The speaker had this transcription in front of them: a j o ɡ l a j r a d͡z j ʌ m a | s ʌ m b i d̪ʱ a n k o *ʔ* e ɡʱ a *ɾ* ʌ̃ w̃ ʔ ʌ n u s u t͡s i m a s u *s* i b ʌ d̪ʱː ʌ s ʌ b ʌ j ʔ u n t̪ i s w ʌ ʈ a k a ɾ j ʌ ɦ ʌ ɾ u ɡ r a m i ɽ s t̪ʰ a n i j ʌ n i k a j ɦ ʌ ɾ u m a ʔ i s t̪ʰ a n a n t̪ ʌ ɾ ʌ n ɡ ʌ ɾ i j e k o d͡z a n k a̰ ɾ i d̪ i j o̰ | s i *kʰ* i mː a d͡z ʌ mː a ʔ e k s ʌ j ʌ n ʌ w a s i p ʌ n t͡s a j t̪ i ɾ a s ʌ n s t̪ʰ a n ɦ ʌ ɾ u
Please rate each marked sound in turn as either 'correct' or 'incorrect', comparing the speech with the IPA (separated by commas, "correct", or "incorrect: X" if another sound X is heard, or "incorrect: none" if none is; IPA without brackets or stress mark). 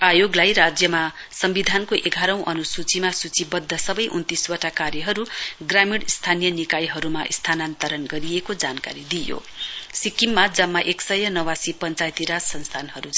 correct, correct, incorrect: t͡s, incorrect: k